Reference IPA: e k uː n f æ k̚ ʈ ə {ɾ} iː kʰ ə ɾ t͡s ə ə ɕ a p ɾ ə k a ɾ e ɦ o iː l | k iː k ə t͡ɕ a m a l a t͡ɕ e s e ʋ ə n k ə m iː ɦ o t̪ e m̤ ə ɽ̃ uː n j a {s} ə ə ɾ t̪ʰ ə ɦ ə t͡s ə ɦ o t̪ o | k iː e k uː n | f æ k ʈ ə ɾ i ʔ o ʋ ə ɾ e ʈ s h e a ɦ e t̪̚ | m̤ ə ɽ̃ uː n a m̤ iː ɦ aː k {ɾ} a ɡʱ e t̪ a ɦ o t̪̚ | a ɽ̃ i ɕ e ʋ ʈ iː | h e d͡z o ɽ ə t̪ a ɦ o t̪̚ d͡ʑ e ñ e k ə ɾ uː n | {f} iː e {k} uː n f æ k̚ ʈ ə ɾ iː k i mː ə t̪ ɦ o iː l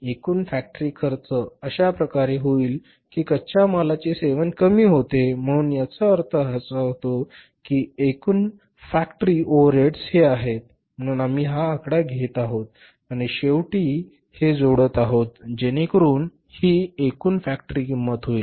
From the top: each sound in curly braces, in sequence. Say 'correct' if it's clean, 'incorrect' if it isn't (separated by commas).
correct, incorrect, incorrect, incorrect, correct